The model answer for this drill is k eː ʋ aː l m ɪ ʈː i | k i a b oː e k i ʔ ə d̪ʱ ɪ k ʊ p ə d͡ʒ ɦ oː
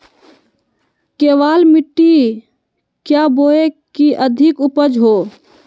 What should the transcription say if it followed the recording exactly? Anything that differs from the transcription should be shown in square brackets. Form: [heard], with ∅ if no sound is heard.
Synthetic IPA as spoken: k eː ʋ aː l m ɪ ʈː i | k [j] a b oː e k i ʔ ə d̪ʱ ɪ k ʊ p ə d͡ʒ ɦ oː